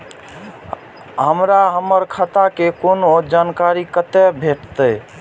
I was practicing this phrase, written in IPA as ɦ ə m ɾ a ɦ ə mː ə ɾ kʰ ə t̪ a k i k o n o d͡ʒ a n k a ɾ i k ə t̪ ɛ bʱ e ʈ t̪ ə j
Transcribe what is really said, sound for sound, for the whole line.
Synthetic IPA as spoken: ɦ ə m ɾ a ɦ ə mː ə ɾ kʰ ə t̪ a k e k o n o d͡ʒ a n k a ɾ i k ə t̪ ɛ bʱ e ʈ t̪ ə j